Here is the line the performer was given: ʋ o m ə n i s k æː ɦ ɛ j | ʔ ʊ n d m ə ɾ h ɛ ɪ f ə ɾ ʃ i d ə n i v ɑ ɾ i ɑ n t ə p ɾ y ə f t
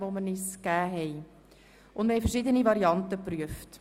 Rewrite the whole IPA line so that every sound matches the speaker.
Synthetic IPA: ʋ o m ə n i s k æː ɦ ɛ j | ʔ ʊ n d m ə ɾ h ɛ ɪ f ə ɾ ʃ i d ə n i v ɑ ɾ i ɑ n t ə p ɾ y ə f t